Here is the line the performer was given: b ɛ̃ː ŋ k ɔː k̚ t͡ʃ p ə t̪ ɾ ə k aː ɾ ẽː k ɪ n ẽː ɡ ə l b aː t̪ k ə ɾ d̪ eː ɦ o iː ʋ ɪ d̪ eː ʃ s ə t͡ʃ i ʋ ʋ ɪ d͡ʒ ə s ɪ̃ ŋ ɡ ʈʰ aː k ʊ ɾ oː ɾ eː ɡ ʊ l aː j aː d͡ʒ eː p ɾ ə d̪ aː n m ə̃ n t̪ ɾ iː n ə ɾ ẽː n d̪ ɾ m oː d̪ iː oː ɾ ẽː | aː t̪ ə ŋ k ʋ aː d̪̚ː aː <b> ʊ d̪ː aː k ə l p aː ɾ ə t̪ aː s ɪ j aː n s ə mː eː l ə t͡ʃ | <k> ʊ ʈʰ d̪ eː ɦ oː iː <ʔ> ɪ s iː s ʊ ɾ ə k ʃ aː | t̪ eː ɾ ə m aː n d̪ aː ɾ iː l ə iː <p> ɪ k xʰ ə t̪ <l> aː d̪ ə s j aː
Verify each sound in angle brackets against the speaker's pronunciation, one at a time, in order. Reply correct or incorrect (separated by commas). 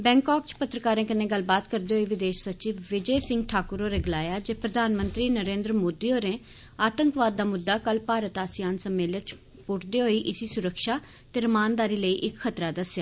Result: incorrect, incorrect, correct, incorrect, incorrect